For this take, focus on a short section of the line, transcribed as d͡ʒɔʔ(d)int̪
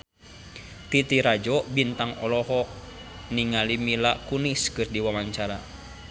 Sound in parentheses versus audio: incorrect: b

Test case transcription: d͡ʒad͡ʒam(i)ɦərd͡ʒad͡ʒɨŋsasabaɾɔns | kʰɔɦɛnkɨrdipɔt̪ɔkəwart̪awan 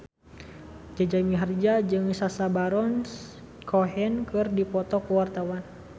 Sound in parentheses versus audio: correct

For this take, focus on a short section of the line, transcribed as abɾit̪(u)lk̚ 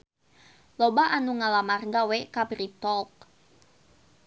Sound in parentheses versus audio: incorrect: ɔ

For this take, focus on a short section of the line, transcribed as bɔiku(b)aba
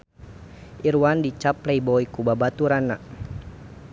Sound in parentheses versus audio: correct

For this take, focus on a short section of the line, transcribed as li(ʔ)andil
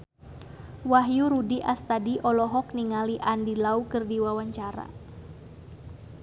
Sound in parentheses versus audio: correct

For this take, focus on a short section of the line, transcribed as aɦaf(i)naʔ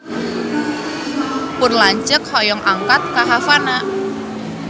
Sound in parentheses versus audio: incorrect: a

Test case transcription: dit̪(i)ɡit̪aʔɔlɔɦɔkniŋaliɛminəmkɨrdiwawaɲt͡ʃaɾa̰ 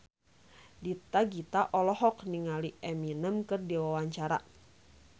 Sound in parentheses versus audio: incorrect: a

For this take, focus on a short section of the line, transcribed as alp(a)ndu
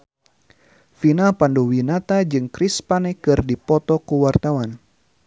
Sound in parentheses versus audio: correct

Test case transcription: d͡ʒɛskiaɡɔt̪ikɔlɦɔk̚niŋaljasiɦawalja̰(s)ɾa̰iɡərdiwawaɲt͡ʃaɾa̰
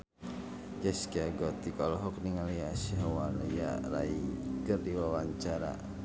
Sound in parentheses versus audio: incorrect: none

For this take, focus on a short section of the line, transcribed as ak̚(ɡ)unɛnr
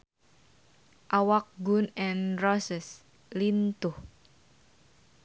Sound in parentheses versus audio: correct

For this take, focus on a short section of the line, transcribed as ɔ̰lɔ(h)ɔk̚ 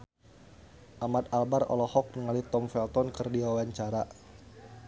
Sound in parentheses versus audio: correct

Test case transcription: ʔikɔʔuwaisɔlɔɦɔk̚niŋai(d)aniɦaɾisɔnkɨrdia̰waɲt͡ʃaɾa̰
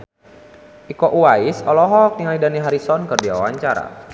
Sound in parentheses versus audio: correct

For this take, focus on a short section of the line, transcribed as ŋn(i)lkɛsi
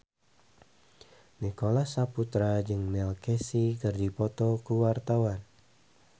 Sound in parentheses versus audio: incorrect: ɛ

